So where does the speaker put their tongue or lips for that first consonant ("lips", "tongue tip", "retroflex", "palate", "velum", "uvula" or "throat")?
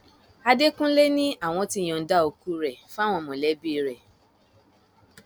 tongue tip